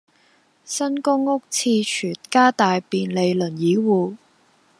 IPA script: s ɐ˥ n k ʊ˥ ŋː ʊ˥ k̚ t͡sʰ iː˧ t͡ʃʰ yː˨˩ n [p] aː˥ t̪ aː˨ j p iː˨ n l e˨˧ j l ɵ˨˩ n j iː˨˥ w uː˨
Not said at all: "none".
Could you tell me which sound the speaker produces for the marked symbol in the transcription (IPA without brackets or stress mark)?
k